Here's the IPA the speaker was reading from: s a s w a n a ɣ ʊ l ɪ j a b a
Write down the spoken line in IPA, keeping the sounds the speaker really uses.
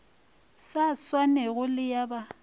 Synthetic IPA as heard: s a s w a n ɛ ɣ ʊ l ɪ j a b a